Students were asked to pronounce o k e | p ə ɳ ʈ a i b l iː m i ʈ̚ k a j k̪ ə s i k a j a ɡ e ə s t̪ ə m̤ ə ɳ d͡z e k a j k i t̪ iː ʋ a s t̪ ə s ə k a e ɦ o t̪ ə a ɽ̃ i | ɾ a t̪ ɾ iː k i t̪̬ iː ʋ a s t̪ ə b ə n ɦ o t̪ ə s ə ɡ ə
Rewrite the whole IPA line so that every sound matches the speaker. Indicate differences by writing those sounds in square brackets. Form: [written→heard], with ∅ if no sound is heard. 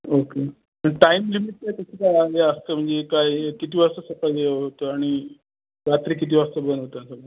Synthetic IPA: o k e | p ə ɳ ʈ a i [b→m] l [iː→i] m i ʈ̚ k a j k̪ ə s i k a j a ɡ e ə s t̪ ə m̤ ə ɳ d͡z e k a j k i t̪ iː ʋ a s t̪ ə s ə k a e ɦ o t̪ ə a ɽ̃ i | ɾ a t̪ ɾ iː k i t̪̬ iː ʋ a s t̪ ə b ə n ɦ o t̪ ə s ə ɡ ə